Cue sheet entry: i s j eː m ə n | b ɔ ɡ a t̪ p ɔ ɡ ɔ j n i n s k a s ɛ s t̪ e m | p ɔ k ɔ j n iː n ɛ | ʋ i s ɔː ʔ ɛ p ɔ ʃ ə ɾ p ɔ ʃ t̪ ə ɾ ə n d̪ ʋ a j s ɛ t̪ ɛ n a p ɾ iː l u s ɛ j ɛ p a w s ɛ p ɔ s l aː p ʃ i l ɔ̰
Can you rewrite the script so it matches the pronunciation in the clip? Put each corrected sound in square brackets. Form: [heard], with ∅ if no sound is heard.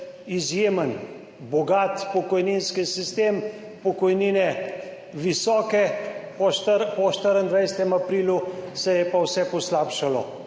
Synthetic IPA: i [z] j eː m ə n | b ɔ ɡ a t̪ p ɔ [k] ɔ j n i n s k [i] s [i] s t̪ e m | p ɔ k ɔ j n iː n ɛ | ʋ i s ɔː [k] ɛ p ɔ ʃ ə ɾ p ɔ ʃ t̪ ə ɾ ə n d̪ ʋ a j s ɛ t̪ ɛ [m] a p ɾ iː l u s ɛ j ɛ p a w s ɛ p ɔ s l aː p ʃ [a] l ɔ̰